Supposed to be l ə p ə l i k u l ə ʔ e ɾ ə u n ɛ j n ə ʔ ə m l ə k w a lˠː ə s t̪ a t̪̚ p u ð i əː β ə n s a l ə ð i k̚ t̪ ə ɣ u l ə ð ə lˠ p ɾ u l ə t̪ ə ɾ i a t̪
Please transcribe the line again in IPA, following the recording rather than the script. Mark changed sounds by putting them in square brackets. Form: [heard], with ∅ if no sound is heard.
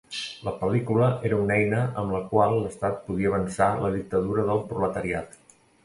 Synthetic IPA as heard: l ə p ə l i k u l ə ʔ e ɾ ə u n ɛ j n ə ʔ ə m l ə k w a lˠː ə s t̪ a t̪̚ p u ð i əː β ə n s a l ə ð i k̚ t̪ ə [ð] u [ɾ] ə ð ə lˠ p ɾ u l ə t̪ ə ɾ i a t̪